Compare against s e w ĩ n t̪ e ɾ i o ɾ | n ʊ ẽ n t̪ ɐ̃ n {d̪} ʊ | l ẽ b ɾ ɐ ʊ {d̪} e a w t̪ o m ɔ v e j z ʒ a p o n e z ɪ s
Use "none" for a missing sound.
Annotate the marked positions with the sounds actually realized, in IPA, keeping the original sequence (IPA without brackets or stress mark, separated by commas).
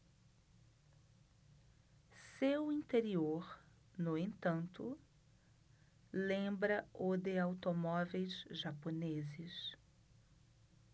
t̪, d̪